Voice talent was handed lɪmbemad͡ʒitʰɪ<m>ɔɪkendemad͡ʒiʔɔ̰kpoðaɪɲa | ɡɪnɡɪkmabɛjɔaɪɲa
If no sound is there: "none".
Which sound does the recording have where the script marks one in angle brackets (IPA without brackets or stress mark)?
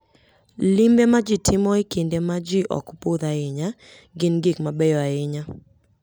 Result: m